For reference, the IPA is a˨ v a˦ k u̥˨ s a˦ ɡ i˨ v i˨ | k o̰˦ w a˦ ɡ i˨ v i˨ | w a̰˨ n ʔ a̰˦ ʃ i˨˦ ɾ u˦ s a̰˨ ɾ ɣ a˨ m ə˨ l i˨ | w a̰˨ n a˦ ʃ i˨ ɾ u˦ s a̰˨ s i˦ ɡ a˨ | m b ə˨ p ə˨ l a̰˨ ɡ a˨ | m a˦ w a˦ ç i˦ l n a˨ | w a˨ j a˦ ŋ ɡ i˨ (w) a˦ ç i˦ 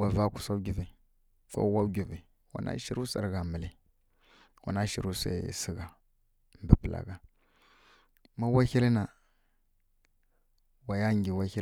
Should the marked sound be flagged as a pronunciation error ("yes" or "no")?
no